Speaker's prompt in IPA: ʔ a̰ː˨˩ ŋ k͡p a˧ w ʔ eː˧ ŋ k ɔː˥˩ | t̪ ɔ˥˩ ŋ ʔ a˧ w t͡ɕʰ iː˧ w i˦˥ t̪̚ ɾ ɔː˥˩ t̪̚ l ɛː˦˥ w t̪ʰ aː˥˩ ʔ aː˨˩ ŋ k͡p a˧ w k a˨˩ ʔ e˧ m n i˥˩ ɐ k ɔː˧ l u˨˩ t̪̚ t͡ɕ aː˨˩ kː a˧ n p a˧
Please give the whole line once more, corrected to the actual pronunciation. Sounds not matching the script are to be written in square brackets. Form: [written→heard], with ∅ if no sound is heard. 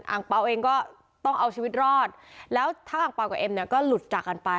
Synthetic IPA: ʔ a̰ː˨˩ ŋ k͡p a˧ w ʔ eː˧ ŋ k ɔː˥˩ | t̪ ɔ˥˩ ŋ ʔ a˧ w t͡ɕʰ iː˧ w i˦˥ t̪̚ ɾ ɔː˥˩ t̪̚ l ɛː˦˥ w t̪ʰ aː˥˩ ʔ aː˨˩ ŋ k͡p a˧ w k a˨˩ ʔ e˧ m n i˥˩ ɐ k [ɔː˧→ɔː˥˩] l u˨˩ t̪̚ t͡ɕ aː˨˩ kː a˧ n p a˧